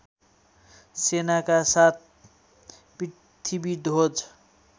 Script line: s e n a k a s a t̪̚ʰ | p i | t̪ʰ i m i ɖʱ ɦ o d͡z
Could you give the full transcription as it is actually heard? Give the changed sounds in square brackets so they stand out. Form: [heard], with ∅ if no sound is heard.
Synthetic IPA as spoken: s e n a k a s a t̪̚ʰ | p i | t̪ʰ i [b] i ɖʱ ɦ o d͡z